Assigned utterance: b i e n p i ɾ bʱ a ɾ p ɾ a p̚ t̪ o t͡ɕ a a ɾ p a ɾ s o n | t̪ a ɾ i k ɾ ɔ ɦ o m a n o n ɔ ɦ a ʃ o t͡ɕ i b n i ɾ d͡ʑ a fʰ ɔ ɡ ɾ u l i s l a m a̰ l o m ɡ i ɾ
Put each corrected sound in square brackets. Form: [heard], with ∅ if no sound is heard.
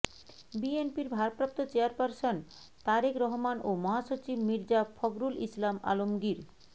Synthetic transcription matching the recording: b i e n p i ɾ bʱ a ɾ p ɾ a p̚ t̪ o t͡ɕ [e] a ɾ p a ɾ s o n | t̪ a ɾ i k ɾ ɔ ɦ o m a n o [m] ɔ ɦ a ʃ o t͡ɕ i b [m] i ɾ d͡ʑ a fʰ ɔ ɡ ɾ u l i s l a m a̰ l o m ɡ i ɾ